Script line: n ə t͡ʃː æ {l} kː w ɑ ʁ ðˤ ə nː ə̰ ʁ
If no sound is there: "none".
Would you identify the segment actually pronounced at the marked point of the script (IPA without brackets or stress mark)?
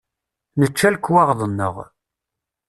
l